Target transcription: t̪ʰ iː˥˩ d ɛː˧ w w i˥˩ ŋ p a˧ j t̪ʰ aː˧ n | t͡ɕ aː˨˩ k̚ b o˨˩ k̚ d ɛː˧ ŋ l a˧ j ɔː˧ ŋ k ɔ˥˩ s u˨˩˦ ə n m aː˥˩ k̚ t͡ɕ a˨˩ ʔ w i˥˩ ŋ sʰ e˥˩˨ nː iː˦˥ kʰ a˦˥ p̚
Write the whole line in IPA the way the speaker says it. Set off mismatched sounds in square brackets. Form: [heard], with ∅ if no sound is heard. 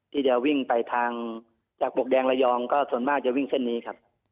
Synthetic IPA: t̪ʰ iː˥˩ d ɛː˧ w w i˥˩ ŋ p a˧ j t̪ʰ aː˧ [ŋ] | t͡ɕ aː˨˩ k̚ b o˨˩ k̚ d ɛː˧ ŋ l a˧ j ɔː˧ ŋ k [ɔː˥˩] s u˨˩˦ ə n m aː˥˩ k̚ t͡ɕ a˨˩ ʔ w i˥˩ ŋ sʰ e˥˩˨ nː iː˦˥ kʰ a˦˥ p̚